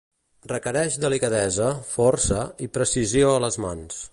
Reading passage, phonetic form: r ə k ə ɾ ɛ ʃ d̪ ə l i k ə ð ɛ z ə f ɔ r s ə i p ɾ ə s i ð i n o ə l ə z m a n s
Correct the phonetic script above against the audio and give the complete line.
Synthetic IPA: r ə k ə ɾ ɛ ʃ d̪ ə l i k ə ð ɛ z ə f ɔ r s ə i p ɾ ə s i z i o ə l ə z m a n s